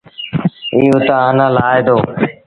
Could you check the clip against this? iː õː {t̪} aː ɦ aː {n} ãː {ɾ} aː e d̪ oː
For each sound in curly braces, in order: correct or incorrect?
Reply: correct, correct, incorrect: l

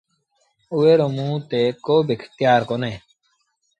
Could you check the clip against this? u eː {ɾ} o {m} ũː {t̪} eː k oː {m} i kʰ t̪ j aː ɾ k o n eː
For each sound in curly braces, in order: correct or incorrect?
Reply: correct, correct, correct, incorrect: b

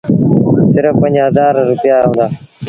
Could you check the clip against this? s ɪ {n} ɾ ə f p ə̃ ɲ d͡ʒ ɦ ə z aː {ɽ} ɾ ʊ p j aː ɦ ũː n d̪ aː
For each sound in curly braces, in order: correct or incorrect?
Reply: incorrect: none, incorrect: ɾ

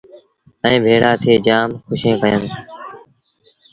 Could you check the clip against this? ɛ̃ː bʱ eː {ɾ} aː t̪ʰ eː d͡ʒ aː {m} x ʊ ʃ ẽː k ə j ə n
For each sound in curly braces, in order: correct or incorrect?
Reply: incorrect: ɽ, correct

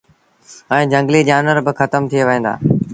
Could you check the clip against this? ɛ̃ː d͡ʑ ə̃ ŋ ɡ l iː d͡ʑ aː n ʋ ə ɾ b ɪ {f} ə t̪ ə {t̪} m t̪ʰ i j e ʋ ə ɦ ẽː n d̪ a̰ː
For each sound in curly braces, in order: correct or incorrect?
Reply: incorrect: x, incorrect: none

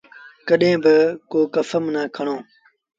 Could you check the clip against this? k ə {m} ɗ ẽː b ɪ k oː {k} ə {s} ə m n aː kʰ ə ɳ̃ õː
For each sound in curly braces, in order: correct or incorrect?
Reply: incorrect: none, correct, incorrect: f

